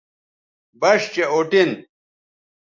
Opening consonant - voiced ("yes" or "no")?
yes